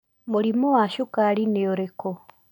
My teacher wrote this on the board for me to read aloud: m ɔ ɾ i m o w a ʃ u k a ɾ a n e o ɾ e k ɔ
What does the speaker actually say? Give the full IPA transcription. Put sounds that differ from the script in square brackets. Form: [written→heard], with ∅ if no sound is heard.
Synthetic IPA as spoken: m [ɔ→o] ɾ i m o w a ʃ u k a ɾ [a→i] n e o ɾ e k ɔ